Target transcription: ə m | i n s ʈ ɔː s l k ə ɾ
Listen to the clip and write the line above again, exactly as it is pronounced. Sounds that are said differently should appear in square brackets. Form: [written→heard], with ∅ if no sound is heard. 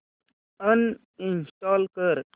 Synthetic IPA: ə [m→n] | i n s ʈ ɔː [s→∅] l k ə ɾ